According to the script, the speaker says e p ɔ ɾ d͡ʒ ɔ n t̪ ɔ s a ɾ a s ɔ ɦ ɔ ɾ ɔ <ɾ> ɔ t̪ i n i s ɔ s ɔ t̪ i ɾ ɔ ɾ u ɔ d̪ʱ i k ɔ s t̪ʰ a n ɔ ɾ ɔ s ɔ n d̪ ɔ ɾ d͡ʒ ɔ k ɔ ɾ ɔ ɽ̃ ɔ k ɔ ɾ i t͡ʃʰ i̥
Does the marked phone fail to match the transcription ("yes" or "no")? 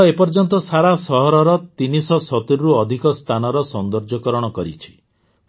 no